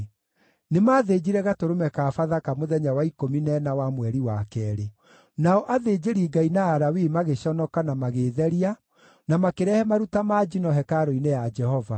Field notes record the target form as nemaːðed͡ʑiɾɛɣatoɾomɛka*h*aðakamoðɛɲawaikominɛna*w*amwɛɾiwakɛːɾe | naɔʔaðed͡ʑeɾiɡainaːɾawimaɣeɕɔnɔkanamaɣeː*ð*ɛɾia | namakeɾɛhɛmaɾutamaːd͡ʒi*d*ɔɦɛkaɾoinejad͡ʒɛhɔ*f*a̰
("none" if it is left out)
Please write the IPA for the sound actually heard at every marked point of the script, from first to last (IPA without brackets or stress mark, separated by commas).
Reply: f, w, ð, n, v